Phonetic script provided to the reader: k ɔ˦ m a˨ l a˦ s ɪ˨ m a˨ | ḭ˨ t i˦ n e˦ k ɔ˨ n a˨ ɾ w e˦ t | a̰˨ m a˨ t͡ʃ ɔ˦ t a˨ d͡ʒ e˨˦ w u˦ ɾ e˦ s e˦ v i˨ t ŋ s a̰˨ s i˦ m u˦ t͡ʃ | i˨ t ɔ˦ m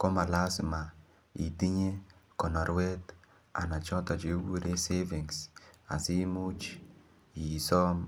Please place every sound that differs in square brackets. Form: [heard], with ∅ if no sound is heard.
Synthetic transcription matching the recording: k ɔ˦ m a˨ l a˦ s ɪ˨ m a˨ | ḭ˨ t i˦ [ɲ] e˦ k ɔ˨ n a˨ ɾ w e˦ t | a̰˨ [n] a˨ t͡ʃ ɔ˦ t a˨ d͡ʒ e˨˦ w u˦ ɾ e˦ s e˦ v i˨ [∅] ŋ s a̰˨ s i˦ m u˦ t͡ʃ | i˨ [s] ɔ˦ m